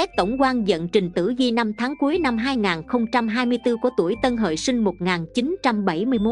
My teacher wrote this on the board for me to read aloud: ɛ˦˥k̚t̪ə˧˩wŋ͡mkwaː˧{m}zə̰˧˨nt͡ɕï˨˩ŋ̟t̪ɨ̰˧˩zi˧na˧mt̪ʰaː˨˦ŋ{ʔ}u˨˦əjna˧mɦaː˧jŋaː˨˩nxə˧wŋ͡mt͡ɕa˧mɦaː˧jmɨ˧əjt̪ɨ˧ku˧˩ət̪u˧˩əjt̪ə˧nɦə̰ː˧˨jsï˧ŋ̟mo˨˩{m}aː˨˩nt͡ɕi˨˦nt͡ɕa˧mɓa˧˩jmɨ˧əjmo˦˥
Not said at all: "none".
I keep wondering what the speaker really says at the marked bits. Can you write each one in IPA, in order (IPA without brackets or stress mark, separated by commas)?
n, k, ŋ